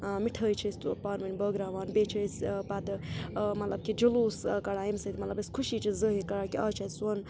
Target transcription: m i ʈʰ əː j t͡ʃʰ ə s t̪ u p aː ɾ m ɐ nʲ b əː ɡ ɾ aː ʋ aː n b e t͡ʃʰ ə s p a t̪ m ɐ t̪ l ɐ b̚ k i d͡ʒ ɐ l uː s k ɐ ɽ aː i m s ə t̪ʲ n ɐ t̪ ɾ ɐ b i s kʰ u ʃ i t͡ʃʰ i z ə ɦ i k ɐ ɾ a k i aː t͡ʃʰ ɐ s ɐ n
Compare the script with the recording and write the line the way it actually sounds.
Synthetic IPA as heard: m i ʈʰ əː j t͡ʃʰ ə s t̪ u p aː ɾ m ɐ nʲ b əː ɡ ɾ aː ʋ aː n b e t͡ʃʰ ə s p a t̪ m ɐ t̪ l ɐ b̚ k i d͡ʒ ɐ l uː s k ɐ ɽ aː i m s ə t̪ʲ m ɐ t̪ l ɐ b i s kʰ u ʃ i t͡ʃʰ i z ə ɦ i k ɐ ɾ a k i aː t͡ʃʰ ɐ s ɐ n